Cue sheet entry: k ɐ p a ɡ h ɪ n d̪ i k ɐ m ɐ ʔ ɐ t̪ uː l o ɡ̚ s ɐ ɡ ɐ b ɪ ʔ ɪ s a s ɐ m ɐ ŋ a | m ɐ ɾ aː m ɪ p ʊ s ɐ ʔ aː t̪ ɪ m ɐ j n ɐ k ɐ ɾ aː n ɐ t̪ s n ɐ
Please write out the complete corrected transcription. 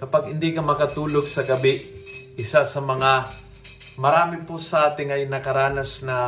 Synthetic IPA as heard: k ɐ p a ɡ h ɪ n d̪ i k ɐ m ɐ k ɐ t̪ uː l o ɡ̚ s ɐ ɡ ɐ b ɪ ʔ ɪ s a s ɐ m ɐ ŋ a | m ɐ ɾ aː m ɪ p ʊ s ɐ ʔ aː t̪ ɪ ŋ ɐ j n ɐ k ɐ ɾ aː n ɐ s n ɐ